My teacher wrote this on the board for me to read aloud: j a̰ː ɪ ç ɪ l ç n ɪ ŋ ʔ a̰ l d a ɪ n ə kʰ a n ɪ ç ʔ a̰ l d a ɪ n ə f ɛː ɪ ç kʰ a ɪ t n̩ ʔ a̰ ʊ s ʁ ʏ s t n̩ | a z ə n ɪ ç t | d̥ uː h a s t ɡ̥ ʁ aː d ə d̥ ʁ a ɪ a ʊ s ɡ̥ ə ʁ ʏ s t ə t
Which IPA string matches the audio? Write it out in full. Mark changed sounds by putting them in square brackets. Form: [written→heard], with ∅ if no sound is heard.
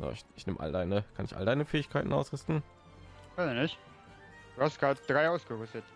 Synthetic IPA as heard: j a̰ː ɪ ç ɪ [l→∅] ç n ɪ [ŋ→m] ʔ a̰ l d a ɪ n ə kʰ a n ɪ ç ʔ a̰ l d a ɪ n ə f ɛː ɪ ç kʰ a ɪ t n̩ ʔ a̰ ʊ s ʁ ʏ s t n̩ | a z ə n ɪ ç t | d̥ uː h a s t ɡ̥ ʁ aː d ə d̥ ʁ a ɪ a ʊ s ɡ̥ ə ʁ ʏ s t ə t